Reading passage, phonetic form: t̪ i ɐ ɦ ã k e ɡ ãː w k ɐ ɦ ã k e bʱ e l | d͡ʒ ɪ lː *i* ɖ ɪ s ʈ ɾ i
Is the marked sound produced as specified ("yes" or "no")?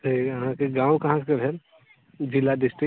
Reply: no